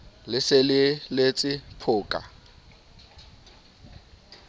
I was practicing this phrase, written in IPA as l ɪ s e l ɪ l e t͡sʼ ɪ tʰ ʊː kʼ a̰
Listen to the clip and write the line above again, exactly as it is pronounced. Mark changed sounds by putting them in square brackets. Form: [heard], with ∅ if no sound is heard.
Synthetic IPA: l ɪ s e l ɪ l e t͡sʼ ɪ [pʰ] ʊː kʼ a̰